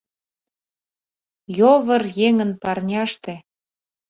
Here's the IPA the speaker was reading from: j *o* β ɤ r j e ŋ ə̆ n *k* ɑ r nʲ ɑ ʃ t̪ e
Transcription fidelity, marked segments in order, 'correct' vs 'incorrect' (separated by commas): correct, incorrect